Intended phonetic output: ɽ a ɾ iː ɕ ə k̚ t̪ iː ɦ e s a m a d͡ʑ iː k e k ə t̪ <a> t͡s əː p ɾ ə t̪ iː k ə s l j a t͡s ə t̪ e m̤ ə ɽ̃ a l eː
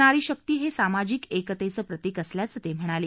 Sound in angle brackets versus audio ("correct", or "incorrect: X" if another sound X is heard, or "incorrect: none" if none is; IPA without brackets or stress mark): incorrect: e